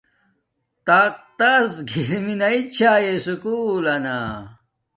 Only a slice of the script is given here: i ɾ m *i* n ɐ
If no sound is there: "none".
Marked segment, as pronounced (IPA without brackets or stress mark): i